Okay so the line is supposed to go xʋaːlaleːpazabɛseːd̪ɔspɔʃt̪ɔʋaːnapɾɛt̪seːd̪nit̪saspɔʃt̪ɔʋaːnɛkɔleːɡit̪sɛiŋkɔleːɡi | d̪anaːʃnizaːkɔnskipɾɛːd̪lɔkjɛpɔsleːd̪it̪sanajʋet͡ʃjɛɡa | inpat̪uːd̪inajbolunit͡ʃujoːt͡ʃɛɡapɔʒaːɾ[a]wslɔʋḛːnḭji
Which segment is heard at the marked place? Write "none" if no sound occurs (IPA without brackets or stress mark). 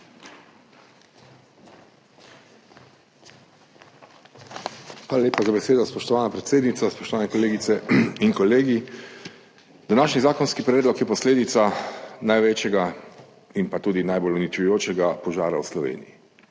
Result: a